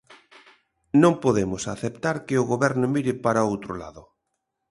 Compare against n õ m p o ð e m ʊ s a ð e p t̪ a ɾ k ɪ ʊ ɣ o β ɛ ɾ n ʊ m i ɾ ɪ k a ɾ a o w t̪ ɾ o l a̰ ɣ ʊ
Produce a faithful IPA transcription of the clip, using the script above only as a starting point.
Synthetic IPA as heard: n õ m p o ð e m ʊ s a θ e p t̪ a ɾ k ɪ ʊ ɣ o β ɛ ɾ n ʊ m i ɾ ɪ p a ɾ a o w t̪ ɾ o l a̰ ð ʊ